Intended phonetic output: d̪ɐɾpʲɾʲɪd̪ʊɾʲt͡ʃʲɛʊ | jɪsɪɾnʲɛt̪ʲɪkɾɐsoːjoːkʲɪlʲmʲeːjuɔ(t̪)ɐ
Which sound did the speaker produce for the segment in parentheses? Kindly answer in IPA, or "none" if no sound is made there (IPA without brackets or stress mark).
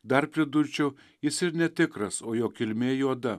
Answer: d̪